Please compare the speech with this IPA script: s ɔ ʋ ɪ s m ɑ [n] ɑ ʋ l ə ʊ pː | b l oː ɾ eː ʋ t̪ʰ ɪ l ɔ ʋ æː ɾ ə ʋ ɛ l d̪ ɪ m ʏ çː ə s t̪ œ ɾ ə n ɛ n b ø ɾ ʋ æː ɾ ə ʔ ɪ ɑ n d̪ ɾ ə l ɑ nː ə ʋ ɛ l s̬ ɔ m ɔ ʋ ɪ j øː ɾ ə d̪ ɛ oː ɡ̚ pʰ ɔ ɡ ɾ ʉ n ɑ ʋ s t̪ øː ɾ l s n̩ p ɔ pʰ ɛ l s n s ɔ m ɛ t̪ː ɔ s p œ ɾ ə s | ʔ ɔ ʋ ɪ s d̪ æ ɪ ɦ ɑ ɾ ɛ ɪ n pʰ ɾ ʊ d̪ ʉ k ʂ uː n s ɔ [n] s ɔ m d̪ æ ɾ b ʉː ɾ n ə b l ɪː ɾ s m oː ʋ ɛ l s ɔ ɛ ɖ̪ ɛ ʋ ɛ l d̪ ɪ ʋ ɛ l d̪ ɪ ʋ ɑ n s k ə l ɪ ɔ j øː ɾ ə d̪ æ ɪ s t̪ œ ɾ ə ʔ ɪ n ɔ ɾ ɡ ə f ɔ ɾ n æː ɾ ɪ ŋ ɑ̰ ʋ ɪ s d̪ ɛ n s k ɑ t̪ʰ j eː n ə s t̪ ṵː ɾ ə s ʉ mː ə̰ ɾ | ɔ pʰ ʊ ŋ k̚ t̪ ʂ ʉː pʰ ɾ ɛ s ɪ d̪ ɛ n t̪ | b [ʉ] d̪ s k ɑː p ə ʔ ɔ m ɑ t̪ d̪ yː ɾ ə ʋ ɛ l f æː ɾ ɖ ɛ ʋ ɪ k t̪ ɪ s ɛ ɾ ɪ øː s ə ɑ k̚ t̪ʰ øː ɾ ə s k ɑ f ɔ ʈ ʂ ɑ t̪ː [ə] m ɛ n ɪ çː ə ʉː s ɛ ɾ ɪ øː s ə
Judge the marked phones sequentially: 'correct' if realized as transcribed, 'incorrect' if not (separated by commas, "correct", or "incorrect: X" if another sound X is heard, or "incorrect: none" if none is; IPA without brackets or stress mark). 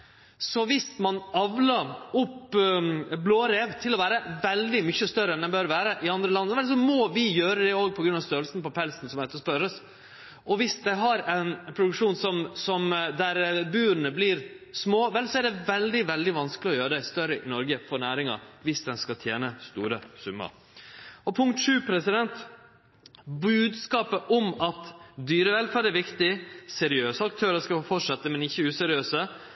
correct, incorrect: m, incorrect: ʉː, correct